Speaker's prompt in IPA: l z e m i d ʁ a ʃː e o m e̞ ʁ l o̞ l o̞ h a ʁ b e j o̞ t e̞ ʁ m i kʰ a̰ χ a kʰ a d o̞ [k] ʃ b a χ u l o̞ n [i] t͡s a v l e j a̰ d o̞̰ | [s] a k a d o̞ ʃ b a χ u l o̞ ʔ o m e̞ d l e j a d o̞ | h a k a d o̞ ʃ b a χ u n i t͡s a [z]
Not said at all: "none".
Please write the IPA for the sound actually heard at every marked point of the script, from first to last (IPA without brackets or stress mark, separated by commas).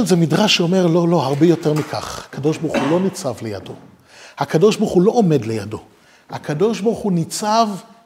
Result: none, i, h, v